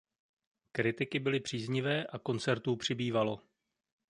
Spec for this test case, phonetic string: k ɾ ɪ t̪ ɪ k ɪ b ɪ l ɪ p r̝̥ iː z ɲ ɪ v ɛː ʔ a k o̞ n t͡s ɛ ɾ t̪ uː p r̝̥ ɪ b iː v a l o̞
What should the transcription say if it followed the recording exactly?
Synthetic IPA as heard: k ɾ ɪ t̪ ɪ k ɪ b ɪ l ɪ p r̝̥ iː z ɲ ɪ v ɛː ʔ a k o̞ n t͡s ɛ ɾ t̪ uː p r̝̥ ɪ b iː v a l o̞